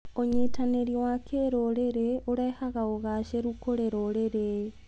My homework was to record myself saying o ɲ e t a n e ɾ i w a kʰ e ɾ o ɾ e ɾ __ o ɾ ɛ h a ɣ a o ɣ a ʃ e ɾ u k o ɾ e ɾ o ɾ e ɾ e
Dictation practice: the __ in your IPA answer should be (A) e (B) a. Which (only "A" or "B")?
A